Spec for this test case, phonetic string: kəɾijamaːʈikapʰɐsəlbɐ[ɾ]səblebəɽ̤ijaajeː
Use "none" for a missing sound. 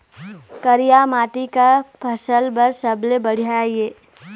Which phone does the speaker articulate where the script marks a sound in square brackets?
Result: ɾ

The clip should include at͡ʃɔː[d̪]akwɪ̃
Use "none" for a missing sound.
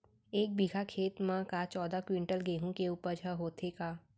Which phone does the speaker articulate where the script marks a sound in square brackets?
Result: d̪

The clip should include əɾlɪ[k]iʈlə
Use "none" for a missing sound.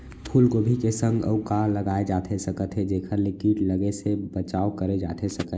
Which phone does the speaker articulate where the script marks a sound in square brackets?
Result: k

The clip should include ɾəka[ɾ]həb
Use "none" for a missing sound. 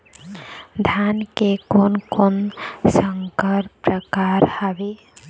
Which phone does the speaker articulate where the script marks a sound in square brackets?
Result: ɾ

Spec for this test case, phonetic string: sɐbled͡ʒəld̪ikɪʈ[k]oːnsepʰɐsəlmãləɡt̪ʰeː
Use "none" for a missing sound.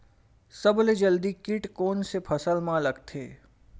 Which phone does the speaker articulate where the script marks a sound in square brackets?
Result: k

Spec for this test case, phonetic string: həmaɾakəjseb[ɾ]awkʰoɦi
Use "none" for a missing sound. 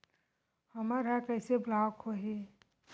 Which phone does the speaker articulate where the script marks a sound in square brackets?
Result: l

